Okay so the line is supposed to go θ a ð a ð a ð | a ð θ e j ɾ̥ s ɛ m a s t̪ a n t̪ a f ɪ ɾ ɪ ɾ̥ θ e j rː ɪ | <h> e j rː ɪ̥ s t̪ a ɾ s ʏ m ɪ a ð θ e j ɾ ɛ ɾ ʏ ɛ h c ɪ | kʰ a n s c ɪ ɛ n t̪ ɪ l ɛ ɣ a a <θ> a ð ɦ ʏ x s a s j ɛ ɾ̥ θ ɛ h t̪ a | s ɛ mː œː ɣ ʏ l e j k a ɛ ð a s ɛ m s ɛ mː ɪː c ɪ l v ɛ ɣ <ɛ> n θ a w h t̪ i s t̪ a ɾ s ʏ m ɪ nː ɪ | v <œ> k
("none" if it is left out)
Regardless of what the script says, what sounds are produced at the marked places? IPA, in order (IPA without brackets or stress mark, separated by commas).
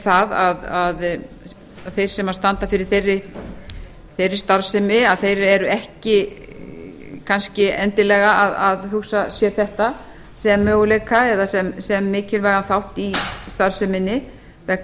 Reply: θ, ð, a, ɛ